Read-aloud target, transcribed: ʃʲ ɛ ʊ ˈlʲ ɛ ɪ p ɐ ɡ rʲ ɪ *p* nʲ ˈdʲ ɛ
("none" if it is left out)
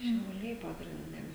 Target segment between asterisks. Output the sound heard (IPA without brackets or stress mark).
none